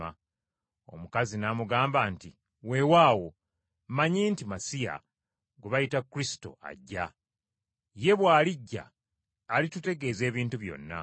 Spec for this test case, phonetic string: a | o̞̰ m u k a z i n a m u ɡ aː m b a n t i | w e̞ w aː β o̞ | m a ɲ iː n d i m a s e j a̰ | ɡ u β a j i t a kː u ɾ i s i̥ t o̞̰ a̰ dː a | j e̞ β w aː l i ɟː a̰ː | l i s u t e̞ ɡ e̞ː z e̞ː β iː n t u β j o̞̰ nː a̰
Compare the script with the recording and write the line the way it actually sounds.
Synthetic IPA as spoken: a | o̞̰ m u k a z i n a m u ɡ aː m b a n t i | w e̞ w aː w o̞ | m a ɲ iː n t i m a s i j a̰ | ɡ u β a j i t a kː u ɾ i s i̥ t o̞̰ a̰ ɟː a | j e̞ β w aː l i ɟː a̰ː | l i t u t e̞ ɡ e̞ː z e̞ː β iː n t u β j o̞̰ nː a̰